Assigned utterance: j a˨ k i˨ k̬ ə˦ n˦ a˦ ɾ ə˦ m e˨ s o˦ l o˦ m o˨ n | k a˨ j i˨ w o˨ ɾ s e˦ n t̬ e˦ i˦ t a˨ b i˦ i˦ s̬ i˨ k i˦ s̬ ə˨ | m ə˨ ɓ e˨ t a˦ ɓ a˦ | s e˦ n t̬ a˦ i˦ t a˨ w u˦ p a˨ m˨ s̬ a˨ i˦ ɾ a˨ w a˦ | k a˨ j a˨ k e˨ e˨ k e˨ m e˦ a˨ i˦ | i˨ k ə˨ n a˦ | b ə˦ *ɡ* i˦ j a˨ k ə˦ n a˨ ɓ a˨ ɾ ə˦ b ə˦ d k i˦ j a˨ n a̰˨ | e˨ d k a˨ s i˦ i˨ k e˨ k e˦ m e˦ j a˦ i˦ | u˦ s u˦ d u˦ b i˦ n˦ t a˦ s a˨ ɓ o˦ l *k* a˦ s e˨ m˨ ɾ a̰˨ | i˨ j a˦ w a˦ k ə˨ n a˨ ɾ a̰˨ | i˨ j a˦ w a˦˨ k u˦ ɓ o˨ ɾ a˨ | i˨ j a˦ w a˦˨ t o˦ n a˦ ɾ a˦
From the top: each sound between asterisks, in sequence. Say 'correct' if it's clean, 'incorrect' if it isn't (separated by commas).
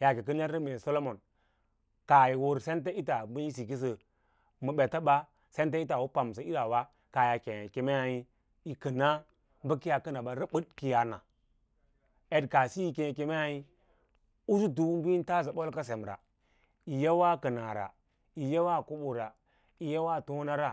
incorrect, correct